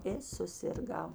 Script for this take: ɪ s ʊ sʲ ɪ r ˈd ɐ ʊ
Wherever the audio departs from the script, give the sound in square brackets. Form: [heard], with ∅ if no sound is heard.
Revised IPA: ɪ s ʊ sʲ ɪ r [ˈɡ] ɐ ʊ